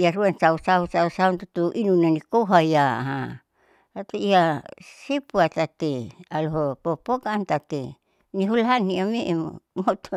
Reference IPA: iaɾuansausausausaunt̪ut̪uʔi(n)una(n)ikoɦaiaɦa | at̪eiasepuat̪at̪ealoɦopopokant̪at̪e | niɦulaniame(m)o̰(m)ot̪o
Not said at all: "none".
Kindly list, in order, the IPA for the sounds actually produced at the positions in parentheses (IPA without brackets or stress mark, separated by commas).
n, n, m, m